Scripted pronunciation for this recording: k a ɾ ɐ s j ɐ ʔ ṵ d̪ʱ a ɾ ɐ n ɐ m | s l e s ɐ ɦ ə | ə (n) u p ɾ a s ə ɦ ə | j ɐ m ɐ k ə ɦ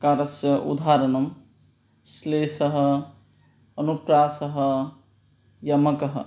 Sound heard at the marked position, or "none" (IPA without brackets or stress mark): n